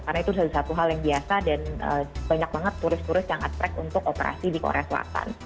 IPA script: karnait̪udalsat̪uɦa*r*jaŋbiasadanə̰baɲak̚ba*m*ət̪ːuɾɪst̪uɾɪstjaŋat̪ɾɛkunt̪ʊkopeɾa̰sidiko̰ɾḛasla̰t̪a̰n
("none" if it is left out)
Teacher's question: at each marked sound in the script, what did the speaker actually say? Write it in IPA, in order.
l, ŋ

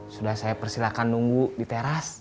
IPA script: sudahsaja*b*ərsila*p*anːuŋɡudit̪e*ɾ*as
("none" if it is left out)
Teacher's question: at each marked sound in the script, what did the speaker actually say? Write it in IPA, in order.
p, k, ɾ

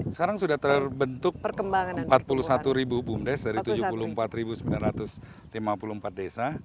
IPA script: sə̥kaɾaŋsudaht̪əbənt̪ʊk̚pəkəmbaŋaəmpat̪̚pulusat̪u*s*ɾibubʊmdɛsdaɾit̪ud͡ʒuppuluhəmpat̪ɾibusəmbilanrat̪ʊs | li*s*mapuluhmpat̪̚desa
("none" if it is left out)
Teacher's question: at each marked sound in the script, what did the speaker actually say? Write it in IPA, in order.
none, none

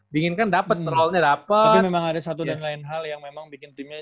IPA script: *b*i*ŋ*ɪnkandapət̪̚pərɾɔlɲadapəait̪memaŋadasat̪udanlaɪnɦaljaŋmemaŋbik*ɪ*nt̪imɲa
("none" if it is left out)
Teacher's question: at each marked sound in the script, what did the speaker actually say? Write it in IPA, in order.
b, ŋ, ɪ

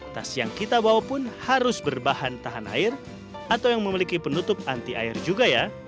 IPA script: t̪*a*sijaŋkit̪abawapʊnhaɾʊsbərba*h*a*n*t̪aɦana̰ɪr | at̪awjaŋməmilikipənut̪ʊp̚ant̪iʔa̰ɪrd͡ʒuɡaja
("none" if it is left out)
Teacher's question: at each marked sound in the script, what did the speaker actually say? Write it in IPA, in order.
a, h, n

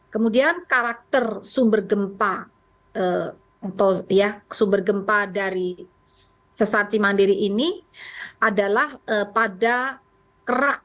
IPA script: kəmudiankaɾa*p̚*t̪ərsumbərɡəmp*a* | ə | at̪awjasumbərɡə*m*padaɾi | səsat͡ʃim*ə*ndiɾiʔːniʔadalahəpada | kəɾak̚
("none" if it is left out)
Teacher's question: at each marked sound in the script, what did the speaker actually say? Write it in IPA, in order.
k̚, a, m, a

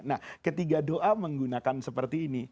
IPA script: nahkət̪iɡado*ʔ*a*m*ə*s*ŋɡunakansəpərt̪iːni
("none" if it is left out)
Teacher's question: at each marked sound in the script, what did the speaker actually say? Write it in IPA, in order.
ʔ, m, none

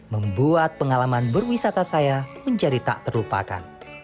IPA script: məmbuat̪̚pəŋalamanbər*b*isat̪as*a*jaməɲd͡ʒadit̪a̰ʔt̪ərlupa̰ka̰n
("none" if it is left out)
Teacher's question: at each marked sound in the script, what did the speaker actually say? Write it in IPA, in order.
w, a

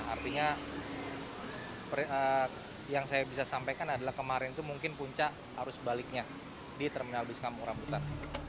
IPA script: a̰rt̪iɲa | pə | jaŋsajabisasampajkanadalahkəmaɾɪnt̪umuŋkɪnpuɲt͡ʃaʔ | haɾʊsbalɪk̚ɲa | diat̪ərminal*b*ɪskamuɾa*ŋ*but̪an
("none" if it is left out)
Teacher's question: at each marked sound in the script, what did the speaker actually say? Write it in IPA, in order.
b, m

